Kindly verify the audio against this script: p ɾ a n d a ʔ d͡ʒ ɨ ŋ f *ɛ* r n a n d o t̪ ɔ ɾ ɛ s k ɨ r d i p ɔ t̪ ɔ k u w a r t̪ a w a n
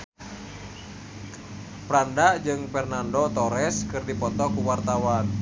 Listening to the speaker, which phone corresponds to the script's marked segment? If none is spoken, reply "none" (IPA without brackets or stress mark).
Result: ɛ